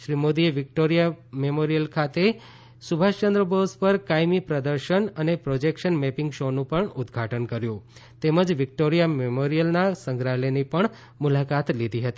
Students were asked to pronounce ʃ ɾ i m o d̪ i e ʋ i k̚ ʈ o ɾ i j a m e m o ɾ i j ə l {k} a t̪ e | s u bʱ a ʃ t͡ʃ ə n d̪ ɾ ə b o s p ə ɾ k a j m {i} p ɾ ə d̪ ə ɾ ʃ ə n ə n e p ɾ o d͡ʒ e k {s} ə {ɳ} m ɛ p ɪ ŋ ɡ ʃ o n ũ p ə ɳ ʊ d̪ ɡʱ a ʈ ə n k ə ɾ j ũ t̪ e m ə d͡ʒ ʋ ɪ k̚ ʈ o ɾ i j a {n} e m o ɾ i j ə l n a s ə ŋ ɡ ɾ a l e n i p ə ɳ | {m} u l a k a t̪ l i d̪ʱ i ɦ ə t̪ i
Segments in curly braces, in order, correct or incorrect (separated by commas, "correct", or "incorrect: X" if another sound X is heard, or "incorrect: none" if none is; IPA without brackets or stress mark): incorrect: kʰ, correct, incorrect: ʃ, incorrect: n, incorrect: m, correct